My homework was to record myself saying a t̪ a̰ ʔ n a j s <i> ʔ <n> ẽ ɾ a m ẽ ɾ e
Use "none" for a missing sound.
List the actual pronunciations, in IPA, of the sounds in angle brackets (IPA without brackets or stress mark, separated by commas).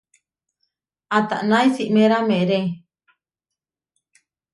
i, m